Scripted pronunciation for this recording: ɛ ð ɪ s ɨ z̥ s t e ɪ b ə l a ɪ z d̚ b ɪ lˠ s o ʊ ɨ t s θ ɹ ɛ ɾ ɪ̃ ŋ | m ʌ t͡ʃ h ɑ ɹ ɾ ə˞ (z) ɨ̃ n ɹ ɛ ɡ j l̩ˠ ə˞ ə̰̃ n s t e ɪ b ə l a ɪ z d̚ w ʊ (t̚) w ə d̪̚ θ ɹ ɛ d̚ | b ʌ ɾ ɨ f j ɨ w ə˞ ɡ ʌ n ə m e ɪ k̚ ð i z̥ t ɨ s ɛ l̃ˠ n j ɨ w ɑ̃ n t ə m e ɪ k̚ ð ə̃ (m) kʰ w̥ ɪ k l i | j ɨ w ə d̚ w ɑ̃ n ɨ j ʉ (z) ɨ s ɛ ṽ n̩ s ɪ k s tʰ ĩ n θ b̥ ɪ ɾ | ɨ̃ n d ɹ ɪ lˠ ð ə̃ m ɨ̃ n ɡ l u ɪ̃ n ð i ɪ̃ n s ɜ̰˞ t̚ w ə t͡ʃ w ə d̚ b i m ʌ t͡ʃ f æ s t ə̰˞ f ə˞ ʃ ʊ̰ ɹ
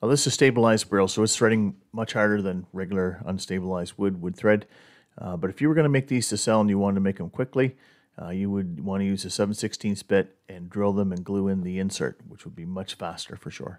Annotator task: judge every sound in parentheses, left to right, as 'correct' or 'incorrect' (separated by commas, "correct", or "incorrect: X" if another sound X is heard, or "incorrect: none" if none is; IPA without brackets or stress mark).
incorrect: ð, incorrect: d̚, correct, correct